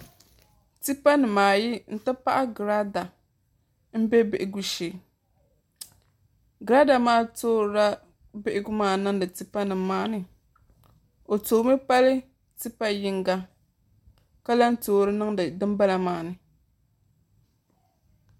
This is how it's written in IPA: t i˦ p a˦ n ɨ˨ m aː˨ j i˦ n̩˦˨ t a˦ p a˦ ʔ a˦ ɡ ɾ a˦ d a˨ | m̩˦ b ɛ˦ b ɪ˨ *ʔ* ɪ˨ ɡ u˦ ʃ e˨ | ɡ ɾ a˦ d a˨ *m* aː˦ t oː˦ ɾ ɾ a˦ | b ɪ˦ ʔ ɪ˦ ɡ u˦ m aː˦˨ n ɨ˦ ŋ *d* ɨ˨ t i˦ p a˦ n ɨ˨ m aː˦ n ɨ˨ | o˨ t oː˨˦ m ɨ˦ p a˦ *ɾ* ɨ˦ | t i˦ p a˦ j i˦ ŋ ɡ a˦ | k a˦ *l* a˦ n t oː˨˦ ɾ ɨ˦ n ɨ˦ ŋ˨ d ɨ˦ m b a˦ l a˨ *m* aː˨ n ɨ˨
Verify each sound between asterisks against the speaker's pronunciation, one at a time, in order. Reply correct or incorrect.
correct, correct, correct, incorrect, correct, correct

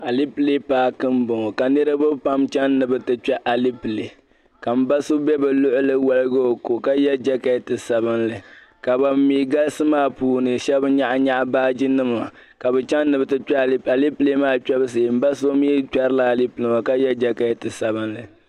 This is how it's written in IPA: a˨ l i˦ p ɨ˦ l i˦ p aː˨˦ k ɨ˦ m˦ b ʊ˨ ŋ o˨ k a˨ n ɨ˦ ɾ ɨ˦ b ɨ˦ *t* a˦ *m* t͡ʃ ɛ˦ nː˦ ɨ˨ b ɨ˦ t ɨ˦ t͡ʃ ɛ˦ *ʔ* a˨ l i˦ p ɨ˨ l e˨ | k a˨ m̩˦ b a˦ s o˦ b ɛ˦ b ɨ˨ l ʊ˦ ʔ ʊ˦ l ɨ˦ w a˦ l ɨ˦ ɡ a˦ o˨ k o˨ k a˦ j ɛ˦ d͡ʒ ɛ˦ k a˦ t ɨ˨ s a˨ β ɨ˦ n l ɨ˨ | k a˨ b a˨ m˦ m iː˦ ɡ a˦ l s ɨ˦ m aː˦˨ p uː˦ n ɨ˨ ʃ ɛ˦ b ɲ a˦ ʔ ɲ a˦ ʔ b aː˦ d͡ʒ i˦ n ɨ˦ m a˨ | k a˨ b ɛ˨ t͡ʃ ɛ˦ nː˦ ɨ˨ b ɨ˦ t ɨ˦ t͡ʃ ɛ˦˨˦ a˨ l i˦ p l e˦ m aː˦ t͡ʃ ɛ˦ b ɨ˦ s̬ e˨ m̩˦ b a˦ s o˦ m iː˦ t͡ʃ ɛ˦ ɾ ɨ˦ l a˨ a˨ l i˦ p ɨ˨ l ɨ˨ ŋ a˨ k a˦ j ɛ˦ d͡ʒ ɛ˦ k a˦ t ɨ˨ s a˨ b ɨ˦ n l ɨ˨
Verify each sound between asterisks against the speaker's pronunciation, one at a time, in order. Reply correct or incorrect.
incorrect, correct, correct

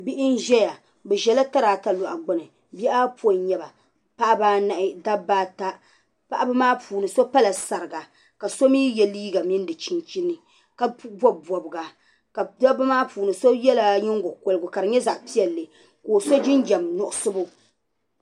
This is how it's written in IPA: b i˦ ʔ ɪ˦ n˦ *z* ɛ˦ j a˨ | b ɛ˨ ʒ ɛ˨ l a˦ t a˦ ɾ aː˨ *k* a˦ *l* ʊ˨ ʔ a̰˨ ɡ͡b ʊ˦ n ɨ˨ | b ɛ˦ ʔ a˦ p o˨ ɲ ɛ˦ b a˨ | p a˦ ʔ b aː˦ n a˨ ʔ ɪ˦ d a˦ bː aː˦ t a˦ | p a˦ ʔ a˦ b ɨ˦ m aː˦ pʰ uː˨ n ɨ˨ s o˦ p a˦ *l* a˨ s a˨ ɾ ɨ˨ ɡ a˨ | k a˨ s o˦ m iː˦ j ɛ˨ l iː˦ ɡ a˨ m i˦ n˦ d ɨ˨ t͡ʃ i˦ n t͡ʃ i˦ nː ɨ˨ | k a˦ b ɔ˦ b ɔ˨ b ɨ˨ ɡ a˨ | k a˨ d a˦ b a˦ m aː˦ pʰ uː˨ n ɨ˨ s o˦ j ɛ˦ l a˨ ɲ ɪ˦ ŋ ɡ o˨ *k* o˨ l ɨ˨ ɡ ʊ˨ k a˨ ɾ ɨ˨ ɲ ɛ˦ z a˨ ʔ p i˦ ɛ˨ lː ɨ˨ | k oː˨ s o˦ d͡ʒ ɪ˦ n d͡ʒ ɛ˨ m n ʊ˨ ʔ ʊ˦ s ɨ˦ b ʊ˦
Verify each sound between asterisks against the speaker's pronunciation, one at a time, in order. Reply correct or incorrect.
incorrect, incorrect, correct, correct, correct

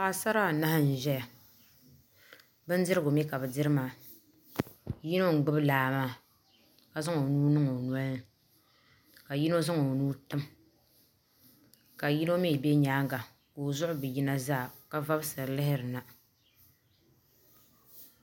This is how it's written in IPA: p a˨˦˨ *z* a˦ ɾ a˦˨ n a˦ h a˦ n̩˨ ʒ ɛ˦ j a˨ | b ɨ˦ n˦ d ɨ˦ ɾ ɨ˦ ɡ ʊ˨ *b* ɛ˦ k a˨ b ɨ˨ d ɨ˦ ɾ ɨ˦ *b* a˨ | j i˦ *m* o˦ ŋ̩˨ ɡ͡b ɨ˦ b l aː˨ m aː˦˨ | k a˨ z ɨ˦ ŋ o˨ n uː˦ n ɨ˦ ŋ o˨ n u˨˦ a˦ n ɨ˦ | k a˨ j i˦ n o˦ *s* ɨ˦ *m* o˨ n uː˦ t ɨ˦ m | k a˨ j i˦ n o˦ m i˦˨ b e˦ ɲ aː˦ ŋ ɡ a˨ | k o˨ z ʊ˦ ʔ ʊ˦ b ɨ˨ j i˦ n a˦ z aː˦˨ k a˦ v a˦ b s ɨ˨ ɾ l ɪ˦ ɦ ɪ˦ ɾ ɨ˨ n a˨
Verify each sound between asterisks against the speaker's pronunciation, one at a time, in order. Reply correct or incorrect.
incorrect, incorrect, incorrect, incorrect, incorrect, incorrect

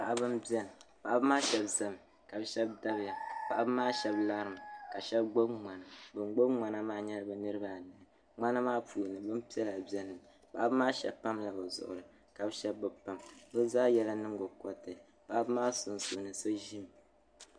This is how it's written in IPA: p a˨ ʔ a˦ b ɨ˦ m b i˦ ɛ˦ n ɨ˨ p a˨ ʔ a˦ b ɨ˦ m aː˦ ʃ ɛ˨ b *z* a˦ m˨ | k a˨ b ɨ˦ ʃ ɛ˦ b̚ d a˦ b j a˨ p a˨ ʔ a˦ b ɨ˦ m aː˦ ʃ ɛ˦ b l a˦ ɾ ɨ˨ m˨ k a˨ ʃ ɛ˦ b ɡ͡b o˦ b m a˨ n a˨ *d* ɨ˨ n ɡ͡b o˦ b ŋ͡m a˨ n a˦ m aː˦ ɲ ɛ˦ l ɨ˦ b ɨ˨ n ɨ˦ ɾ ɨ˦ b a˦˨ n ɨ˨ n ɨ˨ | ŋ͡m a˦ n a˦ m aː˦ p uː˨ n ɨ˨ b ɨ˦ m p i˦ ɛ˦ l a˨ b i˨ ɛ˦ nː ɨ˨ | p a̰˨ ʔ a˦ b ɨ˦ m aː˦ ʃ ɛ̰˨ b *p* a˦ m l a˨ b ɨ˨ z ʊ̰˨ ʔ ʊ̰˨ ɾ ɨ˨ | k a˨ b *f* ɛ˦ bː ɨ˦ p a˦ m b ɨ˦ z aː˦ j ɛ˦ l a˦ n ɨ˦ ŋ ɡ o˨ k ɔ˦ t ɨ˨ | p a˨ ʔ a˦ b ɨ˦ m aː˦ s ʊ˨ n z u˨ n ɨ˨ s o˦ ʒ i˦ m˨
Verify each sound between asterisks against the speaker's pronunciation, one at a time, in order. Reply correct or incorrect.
correct, incorrect, correct, incorrect

